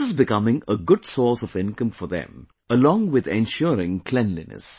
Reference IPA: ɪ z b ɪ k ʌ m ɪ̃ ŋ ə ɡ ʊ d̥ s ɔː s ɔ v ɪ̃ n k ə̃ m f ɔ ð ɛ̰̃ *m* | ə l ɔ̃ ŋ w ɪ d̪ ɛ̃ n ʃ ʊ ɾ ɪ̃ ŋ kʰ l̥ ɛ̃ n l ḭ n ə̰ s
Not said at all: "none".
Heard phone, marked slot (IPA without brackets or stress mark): m